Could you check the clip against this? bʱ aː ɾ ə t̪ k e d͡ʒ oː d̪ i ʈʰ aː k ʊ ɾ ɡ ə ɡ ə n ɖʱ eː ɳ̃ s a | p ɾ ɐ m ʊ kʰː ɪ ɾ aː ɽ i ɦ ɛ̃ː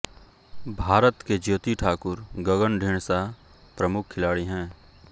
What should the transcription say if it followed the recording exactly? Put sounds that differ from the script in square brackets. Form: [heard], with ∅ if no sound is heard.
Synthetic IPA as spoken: bʱ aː ɾ ə t̪ k e d͡ʒ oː [t̪] i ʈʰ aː k ʊ ɾ ɡ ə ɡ ə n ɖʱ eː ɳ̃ s a | p ɾ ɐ m ʊ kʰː ɪ [l] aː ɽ i ɦ ɛ̃ː